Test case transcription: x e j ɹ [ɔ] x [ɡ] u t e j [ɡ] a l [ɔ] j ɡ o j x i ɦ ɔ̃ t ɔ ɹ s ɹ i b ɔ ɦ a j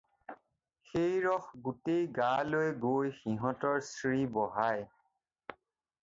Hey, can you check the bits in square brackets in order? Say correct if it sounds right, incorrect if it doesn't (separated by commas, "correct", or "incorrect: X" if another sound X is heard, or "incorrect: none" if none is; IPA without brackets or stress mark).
correct, correct, correct, incorrect: o